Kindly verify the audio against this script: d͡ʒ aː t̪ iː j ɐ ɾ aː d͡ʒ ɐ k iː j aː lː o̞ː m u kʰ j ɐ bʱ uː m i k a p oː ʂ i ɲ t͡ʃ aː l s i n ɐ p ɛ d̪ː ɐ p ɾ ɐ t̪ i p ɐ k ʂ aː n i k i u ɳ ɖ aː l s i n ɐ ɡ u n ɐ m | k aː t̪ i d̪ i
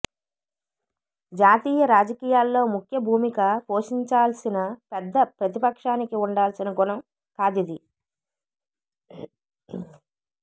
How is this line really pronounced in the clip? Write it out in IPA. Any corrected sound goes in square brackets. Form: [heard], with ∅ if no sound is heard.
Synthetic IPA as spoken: d͡ʒ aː t̪ iː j ɐ ɾ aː d͡ʒ ɐ k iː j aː lː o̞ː m u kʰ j ɐ bʱ uː m i k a p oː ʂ i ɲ t͡ʃ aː l s i n ɐ p ɛ d̪ː ɐ p ɾ ɐ t̪ i p ɐ k ʂ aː n i k i u ɳ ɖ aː l s i n ɐ ɡ u n ɐ m | k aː [d̪] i d̪ i